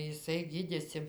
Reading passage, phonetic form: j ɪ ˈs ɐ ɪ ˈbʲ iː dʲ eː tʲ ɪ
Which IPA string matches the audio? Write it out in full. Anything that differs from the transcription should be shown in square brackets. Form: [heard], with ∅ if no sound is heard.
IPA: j ɪ ˈs ɐ ɪ [ˈɡʲ] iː dʲ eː [sʲ] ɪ

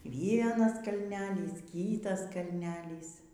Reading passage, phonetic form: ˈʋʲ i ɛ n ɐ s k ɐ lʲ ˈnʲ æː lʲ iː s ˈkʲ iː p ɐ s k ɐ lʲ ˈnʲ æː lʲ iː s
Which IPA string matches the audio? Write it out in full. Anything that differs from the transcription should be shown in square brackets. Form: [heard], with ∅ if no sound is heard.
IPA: ˈʋʲ i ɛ n ɐ s k ɐ lʲ ˈnʲ æː lʲ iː s ˈkʲ iː [t] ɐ s k ɐ lʲ ˈnʲ æː lʲ iː s

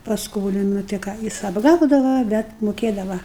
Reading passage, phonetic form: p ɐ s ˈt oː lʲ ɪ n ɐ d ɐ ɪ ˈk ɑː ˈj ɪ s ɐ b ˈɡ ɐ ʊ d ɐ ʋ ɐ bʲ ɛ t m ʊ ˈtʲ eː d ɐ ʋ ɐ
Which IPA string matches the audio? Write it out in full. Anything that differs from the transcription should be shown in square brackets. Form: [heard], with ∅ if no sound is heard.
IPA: p ɐ s [ˈk] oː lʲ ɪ n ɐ [t] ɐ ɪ ˈk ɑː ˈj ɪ s ɐ b ˈɡ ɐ ʊ d ɐ ʋ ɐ bʲ ɛ t m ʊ [ˈkʲ] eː d ɐ ʋ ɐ

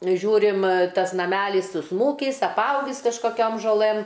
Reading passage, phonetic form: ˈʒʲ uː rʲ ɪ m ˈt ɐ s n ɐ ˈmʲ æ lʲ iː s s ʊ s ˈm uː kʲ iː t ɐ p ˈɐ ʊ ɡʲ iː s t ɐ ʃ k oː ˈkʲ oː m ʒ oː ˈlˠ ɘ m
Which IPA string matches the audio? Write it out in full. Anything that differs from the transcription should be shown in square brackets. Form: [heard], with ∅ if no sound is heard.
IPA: ˈʒʲ uː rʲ ɪ m ˈt ɐ s n ɐ ˈmʲ æ lʲ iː s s ʊ s ˈm uː kʲ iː [s] ɐ p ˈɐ ʊ ɡʲ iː s [k] ɐ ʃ k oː ˈkʲ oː m ʒ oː ˈlˠ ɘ m

